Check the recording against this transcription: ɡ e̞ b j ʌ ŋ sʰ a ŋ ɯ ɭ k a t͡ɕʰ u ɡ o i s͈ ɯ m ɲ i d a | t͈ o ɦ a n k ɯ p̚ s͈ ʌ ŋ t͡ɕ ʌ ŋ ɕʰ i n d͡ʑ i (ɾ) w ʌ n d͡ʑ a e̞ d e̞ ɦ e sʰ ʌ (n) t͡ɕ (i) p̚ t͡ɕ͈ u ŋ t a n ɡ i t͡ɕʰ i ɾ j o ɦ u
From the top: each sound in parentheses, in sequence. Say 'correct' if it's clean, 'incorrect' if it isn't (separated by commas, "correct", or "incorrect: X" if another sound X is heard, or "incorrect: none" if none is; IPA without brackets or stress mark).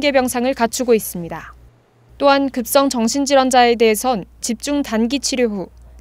correct, correct, correct